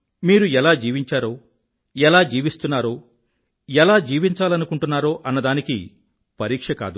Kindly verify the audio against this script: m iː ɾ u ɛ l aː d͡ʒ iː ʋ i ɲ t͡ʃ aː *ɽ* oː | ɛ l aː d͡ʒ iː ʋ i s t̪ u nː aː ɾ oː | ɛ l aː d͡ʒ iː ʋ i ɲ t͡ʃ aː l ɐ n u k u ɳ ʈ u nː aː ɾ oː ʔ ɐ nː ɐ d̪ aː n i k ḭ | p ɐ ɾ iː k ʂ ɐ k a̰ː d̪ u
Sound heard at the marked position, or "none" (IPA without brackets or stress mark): ɾ